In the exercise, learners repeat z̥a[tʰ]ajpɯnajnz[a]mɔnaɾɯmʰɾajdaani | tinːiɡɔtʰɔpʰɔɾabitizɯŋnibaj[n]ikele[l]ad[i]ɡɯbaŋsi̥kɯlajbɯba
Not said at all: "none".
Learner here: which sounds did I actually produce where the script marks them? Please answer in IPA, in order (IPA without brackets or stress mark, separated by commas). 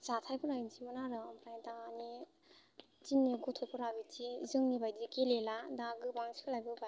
tʰ, i, d, l, a